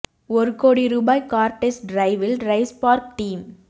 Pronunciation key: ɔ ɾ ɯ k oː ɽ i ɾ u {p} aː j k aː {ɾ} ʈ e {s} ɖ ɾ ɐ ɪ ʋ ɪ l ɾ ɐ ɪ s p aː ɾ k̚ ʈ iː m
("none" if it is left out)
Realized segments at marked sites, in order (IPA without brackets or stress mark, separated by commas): b, ɾ, s